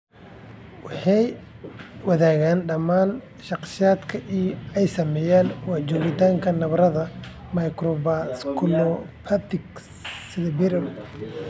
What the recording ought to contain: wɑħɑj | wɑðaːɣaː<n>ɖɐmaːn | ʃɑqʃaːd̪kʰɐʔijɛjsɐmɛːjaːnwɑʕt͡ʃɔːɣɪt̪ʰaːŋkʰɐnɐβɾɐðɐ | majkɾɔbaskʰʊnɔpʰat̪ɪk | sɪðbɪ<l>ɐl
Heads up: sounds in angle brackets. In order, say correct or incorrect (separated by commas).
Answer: correct, incorrect